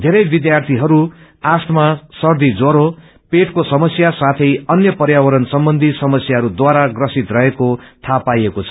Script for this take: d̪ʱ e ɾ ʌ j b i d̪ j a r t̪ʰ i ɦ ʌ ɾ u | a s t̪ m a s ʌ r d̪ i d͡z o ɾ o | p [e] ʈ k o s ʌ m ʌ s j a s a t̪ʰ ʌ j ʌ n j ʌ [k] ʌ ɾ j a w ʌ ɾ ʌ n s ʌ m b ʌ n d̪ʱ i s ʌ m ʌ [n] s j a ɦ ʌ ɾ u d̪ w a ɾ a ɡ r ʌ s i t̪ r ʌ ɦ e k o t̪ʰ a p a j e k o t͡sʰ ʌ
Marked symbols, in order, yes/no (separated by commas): yes, no, no